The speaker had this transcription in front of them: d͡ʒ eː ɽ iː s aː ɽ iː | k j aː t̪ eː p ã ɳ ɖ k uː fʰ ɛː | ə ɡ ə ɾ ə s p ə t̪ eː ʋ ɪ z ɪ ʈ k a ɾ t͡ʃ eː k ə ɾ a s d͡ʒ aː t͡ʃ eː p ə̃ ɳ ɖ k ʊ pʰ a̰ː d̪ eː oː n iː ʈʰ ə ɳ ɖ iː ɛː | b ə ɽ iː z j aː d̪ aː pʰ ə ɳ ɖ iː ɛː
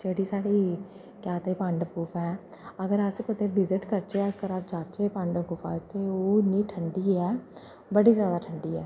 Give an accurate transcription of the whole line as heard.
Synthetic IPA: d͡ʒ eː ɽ iː s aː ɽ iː | k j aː t̪ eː p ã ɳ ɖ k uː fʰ ɛː | ə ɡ ə ɾ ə s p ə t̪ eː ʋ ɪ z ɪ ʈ k ə ɾ t͡ʃ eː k ə ɾ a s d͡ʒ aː t͡ʃ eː p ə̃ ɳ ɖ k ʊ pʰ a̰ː t̪ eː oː n iː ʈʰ ə ɳ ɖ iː ɛː | b ə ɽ iː z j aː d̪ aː ʈʰ ə ɳ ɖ iː ɛː